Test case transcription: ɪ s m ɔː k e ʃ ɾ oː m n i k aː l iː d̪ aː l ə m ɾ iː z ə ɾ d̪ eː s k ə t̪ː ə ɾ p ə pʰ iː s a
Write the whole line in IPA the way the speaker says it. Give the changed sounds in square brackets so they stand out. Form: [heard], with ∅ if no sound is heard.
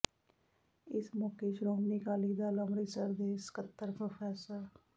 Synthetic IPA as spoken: ɪ s m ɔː k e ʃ ɾ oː m n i k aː l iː d̪ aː l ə m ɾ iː [s] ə ɾ d̪ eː s k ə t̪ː ə ɾ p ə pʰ [ɛː] s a